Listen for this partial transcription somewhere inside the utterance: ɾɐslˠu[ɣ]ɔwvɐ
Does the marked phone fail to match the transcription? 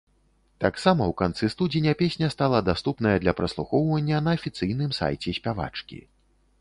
yes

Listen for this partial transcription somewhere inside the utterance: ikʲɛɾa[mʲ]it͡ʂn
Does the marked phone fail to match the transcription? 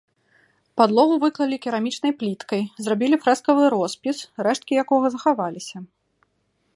no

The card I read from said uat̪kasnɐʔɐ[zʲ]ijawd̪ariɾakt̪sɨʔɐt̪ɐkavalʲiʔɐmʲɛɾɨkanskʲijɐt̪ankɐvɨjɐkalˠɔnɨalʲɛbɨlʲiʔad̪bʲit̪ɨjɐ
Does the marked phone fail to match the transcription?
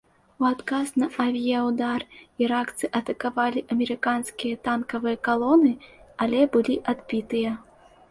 yes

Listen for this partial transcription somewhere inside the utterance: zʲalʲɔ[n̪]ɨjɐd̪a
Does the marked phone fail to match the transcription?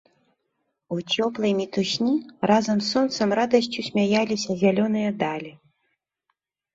no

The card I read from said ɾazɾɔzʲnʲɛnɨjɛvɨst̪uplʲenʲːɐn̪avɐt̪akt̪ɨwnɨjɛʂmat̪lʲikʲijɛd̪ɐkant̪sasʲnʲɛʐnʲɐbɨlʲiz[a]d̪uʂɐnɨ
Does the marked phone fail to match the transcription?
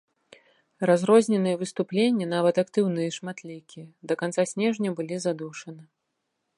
no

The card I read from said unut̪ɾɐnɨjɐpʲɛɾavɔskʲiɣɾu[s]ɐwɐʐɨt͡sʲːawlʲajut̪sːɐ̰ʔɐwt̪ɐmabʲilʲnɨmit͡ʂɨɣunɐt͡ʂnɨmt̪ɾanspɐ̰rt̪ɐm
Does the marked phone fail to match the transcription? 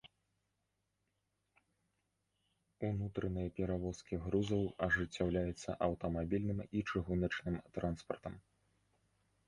yes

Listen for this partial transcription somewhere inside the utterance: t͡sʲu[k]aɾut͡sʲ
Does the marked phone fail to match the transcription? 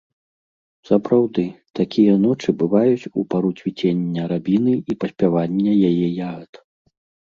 yes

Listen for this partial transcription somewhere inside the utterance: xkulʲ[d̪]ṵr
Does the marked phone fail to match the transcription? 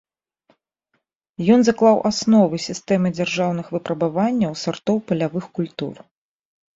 yes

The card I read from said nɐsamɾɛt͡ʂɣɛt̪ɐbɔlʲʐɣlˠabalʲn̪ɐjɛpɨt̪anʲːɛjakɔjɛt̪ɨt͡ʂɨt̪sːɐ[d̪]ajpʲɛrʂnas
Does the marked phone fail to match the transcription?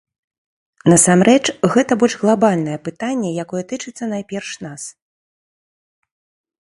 yes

